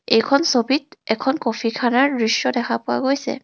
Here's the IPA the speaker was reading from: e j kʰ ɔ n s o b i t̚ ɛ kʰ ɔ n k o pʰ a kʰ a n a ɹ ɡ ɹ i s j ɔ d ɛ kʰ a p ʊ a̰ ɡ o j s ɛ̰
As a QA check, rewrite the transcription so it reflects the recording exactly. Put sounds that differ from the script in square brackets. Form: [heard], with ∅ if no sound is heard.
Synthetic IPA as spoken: e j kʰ ɔ n s o b i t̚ ɛ kʰ ɔ n k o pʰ [i] kʰ a n a ɹ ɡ ɹ i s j ɔ d ɛ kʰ a p ʊ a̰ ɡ o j s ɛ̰